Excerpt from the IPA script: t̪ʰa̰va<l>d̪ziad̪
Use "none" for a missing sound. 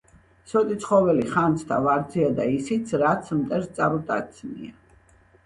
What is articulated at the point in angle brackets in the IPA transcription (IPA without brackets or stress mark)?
ɾ